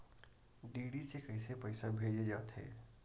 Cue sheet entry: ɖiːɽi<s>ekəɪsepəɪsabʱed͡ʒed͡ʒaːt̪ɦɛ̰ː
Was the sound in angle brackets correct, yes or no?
yes